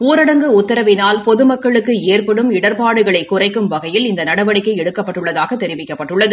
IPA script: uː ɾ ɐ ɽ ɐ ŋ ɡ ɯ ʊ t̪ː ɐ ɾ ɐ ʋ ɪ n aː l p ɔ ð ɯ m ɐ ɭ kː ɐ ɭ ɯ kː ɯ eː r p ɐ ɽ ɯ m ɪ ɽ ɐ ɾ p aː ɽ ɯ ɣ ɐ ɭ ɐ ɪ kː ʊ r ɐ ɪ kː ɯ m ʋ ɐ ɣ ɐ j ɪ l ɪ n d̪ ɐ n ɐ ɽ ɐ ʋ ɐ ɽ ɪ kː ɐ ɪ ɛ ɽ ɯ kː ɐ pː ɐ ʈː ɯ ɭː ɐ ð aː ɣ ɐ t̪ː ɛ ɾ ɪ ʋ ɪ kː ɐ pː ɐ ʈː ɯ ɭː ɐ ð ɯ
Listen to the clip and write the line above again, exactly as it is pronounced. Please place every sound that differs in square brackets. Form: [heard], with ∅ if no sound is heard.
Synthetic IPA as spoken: uː ɾ ɐ ɽ ɐ ŋ ɡ ɯ ʊ t̪ː ɐ ɾ ɐ ʋ ɪ n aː l p ɔ ð ɯ m ɐ [∅] kː ɐ ɭ ɯ kː ɯ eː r p ɐ ɽ ɯ m ɪ ɽ ɐ ɾ p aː ɽ ɯ ɣ ɐ ɭ ɐ ɪ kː ʊ r ɐ ɪ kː ɯ m ʋ ɐ ɣ ɐ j ɪ l ɪ n d̪ ɐ n ɐ ɽ ɐ ʋ ɐ ɽ ɪ kː ɐ ɪ ɛ ɽ ɯ kː ɐ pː ɐ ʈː ɯ ɭː ɐ ð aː ɣ ɐ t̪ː ɛ ɾ ɪ ʋ ɪ kː ɐ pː ɐ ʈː ɯ ɭː ɐ ð ɯ